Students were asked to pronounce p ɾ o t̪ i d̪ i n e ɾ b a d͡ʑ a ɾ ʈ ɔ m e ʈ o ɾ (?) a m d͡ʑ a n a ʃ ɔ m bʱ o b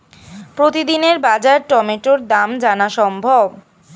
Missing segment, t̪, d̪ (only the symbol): d̪